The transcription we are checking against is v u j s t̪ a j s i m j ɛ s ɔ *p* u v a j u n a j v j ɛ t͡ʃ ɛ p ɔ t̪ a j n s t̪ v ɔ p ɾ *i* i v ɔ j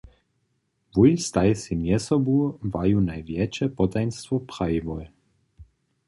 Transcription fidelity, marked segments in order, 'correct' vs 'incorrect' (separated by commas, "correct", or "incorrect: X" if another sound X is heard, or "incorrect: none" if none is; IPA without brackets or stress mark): incorrect: b, incorrect: a